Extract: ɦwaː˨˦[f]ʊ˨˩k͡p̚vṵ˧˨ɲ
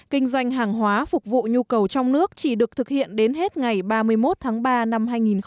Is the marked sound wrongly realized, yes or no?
no